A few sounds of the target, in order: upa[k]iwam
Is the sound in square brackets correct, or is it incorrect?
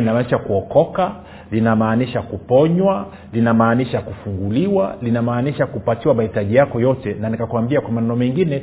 incorrect